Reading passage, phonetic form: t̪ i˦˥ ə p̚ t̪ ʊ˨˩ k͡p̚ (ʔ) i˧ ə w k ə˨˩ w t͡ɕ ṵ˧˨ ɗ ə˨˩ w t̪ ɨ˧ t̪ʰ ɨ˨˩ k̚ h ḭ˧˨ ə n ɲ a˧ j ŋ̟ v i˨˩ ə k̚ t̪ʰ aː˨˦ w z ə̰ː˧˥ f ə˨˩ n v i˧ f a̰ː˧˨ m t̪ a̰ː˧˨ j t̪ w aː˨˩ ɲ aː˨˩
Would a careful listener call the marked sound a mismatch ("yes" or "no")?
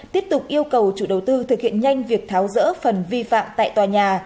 no